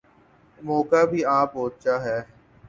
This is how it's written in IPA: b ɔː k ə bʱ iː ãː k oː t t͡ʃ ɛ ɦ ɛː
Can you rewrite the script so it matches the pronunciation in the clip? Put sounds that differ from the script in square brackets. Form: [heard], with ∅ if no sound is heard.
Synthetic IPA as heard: [m] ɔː k [a] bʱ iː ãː [p] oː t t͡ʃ [a] ɦ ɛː

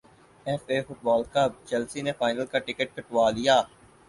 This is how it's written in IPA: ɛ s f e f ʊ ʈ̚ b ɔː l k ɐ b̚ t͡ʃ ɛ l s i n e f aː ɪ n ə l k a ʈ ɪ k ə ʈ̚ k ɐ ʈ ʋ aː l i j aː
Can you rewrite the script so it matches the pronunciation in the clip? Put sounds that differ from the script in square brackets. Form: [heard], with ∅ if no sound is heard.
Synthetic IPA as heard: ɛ [∅] f e f ʊ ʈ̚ b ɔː l k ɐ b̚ t͡ʃ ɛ l s i n e f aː ɪ n ə l k a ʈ ɪ k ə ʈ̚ k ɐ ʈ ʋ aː l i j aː

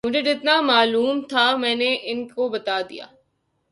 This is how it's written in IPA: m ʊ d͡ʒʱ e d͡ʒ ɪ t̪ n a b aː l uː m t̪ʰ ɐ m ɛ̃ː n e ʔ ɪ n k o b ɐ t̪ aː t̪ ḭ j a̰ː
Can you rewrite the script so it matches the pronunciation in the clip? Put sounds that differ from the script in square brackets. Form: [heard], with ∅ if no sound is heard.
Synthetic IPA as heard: m ʊ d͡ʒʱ e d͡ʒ ɪ t̪ n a [m] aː l uː m t̪ʰ [a] m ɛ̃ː n e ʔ ɪ n k o b ɐ t̪ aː [d̪] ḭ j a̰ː

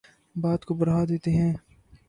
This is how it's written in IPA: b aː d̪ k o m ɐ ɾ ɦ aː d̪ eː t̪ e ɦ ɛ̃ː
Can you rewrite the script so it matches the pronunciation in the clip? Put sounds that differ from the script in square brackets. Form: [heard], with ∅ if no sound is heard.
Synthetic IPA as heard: b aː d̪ k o [b] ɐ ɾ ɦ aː d̪ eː t̪ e ɦ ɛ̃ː

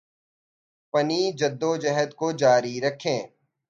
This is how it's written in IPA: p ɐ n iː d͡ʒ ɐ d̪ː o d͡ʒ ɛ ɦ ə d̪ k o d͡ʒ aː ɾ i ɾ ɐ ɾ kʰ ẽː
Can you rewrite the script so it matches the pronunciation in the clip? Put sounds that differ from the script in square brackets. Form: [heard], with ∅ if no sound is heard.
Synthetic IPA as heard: p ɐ n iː d͡ʒ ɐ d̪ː o d͡ʒ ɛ ɦ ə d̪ k o d͡ʒ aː ɾ i ɾ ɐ [∅] kʰ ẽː

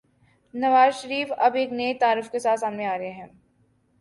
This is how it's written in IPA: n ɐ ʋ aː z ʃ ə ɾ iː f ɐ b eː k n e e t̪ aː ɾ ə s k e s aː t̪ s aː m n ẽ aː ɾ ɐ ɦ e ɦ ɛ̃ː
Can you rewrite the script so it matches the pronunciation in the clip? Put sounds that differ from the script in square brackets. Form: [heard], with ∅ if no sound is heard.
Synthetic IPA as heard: n ɐ ʋ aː z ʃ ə ɾ iː f ɐ b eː k n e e t̪ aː ɾ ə [f] k e s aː t̪ s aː m n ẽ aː ɾ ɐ ɦ e ɦ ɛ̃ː

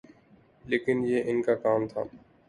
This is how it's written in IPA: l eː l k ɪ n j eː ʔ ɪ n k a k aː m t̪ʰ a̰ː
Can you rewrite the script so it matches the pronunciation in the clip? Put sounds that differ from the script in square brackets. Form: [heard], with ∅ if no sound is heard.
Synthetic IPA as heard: l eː [∅] k ɪ n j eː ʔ ɪ n k a k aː m t̪ʰ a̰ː

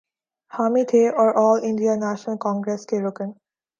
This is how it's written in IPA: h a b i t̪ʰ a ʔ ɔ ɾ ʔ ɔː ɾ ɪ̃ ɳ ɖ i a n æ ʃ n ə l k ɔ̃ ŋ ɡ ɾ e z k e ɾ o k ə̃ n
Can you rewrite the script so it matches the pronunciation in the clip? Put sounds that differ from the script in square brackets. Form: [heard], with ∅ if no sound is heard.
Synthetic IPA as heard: h a [m] i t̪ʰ [e] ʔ ɔ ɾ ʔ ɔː [l] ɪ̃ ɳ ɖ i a n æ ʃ n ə l k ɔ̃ ŋ ɡ ɾ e [s] k e ɾ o k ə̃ n

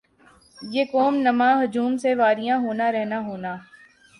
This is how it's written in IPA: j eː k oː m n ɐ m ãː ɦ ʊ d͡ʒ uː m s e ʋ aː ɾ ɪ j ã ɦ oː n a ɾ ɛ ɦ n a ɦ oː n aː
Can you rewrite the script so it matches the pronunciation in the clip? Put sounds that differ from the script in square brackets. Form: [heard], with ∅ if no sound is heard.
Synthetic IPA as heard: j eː k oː m n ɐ m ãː ɦ ʊ d͡ʒ uː m s e ʋ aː ɾ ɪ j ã ɦ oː n a ɾ ɛ ɦ n a ɦ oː n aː

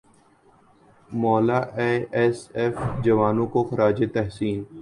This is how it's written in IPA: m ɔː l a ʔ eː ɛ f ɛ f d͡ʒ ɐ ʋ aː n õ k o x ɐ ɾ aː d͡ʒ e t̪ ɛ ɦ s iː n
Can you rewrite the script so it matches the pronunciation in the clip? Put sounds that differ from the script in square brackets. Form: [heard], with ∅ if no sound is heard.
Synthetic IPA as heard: m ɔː l a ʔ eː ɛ [s] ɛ f d͡ʒ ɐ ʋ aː n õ k o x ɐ ɾ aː d͡ʒ e t̪ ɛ ɦ s iː n

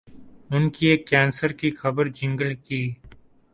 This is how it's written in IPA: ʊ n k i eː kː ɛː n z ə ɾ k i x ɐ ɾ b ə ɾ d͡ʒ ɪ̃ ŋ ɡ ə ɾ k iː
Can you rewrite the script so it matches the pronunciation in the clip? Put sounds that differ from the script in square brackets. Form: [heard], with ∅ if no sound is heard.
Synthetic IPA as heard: ʊ n k i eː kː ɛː n [s] ə ɾ k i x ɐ [∅] b ə ɾ d͡ʒ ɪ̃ ŋ ɡ ə [l] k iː

